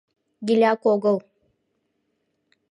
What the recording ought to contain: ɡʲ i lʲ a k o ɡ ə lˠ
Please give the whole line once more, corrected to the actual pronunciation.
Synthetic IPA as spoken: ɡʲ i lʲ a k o ɡ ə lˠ